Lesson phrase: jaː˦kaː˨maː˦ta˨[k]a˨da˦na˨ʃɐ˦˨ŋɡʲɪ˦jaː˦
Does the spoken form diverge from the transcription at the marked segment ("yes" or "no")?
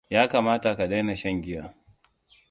no